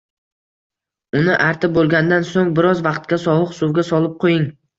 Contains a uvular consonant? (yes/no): yes